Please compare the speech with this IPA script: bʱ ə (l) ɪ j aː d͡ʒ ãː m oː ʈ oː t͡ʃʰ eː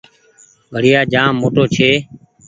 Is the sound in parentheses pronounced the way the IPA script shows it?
no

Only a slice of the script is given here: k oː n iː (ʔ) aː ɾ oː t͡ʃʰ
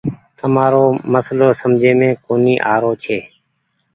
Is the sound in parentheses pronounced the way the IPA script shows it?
yes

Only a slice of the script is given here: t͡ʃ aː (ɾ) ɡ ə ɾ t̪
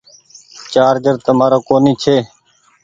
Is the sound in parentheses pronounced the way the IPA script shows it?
yes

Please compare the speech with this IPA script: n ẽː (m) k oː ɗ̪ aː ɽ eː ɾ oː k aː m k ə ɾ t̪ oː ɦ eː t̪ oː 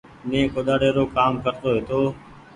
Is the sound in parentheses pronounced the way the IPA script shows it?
no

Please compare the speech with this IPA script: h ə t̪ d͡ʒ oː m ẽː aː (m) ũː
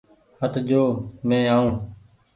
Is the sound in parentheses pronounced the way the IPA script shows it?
no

